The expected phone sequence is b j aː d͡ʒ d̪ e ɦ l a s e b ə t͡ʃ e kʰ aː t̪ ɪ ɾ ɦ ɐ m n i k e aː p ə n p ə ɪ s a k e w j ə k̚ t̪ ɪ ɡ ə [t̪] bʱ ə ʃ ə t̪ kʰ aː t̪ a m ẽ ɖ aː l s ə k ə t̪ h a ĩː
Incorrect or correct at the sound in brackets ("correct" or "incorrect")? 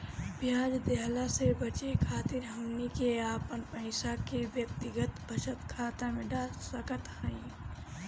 correct